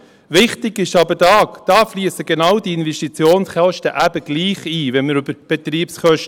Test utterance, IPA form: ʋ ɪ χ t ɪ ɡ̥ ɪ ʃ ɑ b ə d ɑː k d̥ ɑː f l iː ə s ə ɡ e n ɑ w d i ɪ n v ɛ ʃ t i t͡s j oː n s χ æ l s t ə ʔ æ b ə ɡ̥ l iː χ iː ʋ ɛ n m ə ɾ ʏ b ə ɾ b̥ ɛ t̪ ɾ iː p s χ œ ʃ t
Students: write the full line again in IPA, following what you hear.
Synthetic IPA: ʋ ɪ χ t ɪ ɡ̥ ɪ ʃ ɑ b ə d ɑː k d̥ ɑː f l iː ə s ə ɡ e n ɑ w d i ɪ n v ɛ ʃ t i t͡s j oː n s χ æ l ʃ t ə ʔ æ b ə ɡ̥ l iː χ iː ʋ ɛ n m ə ɾ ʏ b ə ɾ b̥ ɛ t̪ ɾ iː p s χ œ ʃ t